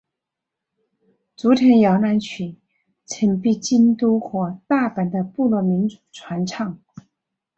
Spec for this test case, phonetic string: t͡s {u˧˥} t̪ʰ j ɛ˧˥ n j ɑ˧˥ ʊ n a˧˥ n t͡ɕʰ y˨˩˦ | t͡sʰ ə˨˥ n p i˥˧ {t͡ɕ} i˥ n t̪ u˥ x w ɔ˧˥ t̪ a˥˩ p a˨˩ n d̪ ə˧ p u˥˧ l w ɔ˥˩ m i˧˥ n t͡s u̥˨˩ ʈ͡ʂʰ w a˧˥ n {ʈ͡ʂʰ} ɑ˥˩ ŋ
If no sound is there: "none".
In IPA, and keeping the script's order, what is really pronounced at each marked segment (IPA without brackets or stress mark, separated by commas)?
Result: u˧˥, t͡ɕ, ʈ͡ʂʰ